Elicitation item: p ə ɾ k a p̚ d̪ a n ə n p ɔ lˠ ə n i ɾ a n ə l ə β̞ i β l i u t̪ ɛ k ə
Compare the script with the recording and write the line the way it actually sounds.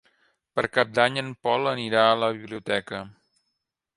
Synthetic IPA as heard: p ə ɾ k a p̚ d̪ a ɲ ə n p ɔ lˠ ə n i ɾ a ə l ə β̞ i β l i u t̪ ɛ k ə